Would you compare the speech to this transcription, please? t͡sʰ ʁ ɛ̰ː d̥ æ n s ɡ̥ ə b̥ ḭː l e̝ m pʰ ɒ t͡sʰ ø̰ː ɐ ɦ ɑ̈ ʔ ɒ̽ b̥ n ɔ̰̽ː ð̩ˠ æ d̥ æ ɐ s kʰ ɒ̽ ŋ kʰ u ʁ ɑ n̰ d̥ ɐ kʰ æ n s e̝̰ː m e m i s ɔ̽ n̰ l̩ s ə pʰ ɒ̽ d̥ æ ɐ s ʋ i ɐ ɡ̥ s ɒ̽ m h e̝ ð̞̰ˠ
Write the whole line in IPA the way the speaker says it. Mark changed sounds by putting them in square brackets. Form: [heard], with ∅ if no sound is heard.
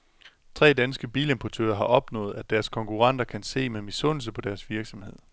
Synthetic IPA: t͡sʰ ʁ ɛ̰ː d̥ æ n s ɡ̥ ə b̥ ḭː l e̝ m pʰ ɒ t͡sʰ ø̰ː ɐ ɦ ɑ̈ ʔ ɒ̽ b̥ n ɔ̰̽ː ð̩ˠ æ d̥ æ ɐ s kʰ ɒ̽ ŋ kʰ u ʁ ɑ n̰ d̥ ɐ kʰ æ n s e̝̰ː m e m i s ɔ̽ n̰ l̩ s ə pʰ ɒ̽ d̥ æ ɐ s ʋ i ɐ ɡ̥ s ɒ̽ m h e̝ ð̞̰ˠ